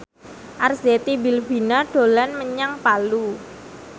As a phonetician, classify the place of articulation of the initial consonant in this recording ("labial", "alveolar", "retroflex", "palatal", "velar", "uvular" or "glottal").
glottal